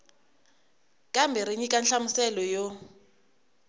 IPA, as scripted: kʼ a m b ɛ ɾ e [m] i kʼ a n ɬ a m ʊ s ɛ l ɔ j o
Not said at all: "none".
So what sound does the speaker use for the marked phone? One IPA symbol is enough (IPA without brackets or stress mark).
ɲ